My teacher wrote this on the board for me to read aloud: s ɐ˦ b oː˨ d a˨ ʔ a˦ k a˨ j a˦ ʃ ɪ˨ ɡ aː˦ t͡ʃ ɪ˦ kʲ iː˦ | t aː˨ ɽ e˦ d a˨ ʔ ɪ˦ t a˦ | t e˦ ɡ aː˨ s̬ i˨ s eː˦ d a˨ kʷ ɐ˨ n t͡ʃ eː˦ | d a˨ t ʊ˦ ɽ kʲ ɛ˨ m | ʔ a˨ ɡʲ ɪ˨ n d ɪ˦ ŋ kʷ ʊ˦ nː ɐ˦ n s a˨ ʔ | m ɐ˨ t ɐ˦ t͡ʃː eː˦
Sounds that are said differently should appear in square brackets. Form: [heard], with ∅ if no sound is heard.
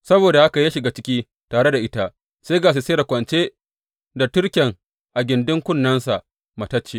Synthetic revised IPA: s ɐ˦ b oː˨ d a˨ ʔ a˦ k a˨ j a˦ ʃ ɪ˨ ɡ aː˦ t͡ʃ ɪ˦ kʲ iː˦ | t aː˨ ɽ e˦ d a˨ ʔ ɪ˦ t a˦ | [s] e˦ ɡ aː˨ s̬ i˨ s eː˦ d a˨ kʷ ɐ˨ n t͡ʃ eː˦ | d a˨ t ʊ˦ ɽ kʲ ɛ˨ [ŋ] | ʔ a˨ ɡʲ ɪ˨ n d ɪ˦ ŋ kʷ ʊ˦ nː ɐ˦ n s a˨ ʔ | m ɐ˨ t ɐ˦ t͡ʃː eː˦

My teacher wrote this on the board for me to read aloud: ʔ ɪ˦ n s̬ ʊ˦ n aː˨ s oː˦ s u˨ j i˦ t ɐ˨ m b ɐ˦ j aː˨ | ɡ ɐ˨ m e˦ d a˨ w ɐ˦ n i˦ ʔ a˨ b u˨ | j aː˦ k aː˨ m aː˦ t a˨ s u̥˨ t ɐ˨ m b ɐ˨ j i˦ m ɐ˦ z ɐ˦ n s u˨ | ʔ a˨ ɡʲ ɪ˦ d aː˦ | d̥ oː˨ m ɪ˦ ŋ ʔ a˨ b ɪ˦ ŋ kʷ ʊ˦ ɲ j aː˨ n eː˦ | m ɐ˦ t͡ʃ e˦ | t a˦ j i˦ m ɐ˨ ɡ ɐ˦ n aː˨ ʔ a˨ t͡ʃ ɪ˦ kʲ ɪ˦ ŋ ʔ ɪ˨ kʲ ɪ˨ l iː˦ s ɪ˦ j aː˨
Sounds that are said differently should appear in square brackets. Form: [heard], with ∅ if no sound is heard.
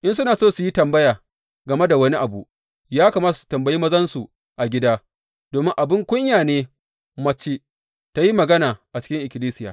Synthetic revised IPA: ʔ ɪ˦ n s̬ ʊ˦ n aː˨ s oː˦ s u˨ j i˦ t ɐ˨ m b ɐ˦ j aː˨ | ɡ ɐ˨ m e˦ d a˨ w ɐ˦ n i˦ ʔ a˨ b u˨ | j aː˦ k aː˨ m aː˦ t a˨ s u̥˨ t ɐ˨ m b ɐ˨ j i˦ m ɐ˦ z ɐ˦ n s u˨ | ʔ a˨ ɡʲ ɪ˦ d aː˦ | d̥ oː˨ m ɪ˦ ŋ ʔ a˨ b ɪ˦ ŋ kʷ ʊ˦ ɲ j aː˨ n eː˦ | m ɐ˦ t͡ʃ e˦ | t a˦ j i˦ m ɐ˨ ɡ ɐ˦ n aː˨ ʔ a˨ t͡ʃ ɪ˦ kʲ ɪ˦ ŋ ʔ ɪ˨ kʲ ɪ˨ l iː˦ s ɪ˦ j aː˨

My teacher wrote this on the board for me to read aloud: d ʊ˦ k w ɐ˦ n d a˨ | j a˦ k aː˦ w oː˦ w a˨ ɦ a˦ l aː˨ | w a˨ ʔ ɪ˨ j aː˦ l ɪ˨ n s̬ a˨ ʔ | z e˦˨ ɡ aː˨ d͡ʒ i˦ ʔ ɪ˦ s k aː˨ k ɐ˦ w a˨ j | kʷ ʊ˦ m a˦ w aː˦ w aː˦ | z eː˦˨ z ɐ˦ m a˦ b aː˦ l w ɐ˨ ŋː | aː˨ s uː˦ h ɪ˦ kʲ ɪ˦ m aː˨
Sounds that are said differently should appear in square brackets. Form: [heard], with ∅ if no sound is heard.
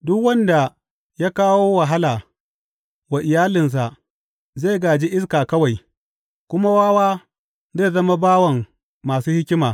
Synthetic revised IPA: d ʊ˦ k w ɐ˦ n d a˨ | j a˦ k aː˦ w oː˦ w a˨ ɦ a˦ l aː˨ | w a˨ ʔ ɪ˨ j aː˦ l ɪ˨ n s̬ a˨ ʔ | z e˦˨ ɡ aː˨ d͡ʒ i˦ ʔ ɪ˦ s k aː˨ k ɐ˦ w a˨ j | kʷ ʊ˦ m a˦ w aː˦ w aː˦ | z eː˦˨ z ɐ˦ m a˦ b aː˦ [∅] w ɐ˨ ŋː | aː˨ s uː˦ h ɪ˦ kʲ ɪ˦ m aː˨

